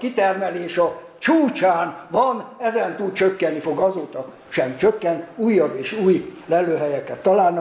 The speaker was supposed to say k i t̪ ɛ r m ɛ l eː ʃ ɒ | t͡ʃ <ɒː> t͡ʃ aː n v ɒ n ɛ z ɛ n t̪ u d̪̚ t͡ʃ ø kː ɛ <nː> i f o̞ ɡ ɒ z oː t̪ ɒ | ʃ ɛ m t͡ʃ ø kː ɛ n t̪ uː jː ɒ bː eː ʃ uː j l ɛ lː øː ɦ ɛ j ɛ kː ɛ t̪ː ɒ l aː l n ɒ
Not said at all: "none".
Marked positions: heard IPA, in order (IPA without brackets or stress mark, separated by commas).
uː, nː